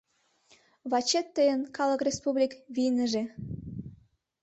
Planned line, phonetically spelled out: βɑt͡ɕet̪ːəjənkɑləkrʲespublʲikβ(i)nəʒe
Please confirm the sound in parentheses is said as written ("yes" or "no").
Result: yes